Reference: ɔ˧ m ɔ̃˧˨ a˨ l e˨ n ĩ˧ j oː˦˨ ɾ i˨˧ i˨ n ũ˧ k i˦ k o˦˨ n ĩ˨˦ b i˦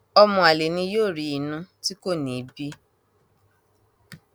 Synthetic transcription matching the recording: ɔ˧ m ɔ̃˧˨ a˨ l e˨ n ĩ˧ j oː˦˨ ɾ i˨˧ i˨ n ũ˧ t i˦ k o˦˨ n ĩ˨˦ b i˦